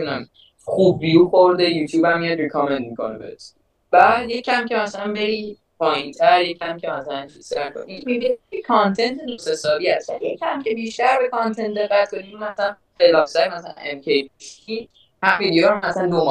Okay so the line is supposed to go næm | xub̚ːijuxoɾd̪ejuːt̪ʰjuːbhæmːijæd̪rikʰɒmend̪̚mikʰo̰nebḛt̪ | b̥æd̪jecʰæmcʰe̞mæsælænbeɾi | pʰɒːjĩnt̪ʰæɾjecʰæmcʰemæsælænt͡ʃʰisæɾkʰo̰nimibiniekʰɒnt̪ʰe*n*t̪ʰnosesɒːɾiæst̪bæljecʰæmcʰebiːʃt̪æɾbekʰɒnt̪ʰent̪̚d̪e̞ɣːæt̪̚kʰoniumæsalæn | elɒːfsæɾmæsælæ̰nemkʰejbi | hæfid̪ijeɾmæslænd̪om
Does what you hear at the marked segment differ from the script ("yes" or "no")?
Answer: no